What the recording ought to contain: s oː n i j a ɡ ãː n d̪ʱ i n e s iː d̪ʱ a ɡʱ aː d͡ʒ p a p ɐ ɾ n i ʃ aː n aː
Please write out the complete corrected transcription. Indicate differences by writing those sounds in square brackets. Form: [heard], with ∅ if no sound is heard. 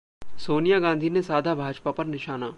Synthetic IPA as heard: s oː n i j a ɡ ãː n d̪ʱ i n e s [aː] d̪ʱ a [bʱ] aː d͡ʒ p a p ɐ ɾ n [ɪ] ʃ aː n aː